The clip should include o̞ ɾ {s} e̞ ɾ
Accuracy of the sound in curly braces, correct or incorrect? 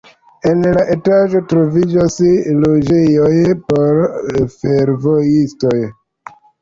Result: incorrect